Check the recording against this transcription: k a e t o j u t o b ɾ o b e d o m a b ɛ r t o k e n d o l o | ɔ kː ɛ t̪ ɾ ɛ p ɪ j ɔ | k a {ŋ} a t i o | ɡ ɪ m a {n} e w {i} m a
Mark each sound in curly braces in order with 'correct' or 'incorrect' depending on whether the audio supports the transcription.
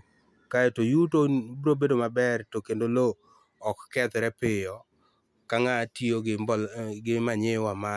correct, incorrect: ɲ, incorrect: a

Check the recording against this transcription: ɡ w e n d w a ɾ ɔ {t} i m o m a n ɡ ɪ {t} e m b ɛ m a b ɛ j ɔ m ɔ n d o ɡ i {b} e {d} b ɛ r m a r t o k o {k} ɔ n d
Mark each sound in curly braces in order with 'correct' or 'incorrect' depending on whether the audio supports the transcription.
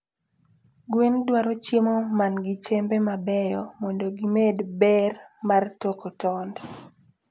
incorrect: t͡ʃ, incorrect: t͡ʃ, incorrect: m, correct, incorrect: t

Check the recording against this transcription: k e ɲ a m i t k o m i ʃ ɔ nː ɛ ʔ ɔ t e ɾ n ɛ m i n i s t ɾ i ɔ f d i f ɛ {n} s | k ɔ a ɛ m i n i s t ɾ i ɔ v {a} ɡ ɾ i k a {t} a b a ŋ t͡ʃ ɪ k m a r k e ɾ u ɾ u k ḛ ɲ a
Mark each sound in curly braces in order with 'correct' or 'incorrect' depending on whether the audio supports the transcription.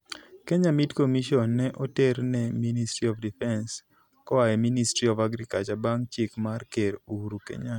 correct, correct, incorrect: t͡ʃ

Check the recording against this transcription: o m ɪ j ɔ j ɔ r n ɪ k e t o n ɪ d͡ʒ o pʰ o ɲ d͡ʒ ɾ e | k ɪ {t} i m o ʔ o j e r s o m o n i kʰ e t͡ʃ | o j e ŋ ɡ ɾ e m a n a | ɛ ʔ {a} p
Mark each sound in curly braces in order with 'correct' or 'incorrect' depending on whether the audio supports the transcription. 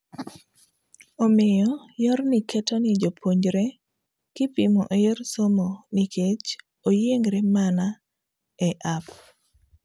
incorrect: p, correct

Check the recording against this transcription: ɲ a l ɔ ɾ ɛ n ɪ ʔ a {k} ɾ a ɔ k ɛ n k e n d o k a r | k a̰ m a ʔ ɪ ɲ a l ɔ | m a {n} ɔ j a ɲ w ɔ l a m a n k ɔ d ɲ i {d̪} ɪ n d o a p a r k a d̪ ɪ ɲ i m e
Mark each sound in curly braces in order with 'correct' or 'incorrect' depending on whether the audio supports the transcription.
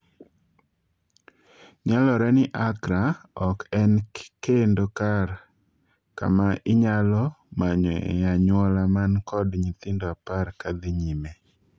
correct, incorrect: ɲ, incorrect: t̪

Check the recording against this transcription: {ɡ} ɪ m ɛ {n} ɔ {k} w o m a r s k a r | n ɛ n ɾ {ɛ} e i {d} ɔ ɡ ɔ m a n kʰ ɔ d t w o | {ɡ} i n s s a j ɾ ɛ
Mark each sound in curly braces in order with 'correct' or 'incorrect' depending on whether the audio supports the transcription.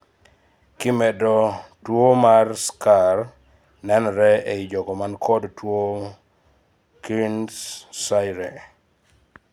incorrect: k, incorrect: d, incorrect: t, correct, incorrect: d͡ʒ, incorrect: k

